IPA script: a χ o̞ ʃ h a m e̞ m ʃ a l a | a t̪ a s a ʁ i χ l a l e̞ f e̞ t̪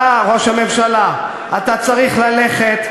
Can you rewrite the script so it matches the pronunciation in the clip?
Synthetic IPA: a ʁ o̞ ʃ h a m e̞ m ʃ a l a | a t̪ a t͡s a ʁ i χ l a l e̞ χ e̞ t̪

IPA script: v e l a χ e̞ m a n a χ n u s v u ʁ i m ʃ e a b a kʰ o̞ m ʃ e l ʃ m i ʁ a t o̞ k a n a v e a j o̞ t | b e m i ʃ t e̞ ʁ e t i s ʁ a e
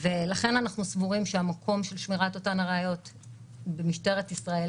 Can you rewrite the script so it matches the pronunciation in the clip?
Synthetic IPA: v e l a χ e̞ n a n a χ n u s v u ʁ i m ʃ e a m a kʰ o̞ m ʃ e l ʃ m i ʁ a t o̞ t a n a ʁ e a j o̞ t | b e m i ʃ t e̞ ʁ e t i s ʁ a e

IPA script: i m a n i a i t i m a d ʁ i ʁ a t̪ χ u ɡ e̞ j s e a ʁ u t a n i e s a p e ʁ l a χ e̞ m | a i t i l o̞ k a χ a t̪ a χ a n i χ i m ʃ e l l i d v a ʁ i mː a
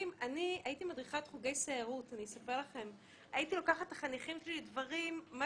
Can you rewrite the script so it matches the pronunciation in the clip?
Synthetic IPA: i m a n i a i t i m a d ʁ i χ a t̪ χ u ɡ e̞ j s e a ʁ u t a n i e s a p e ʁ l a χ e̞ m | a i t i l o̞ k a χ a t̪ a χ a n i χ i m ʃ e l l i d v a ʁ i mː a

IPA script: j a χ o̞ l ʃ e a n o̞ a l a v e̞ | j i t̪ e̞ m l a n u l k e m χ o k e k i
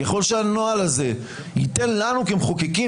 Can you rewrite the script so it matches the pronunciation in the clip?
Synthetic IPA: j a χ o̞ l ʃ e a n o̞ a l a z e̞ | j i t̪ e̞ n l a n u k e m χ o k e k i

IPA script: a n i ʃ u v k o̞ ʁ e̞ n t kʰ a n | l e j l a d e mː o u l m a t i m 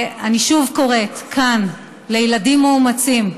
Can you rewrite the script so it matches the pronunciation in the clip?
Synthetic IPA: a n i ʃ u v k o̞ ʁ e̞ t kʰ a n | l e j l a d i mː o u m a t͡s i m

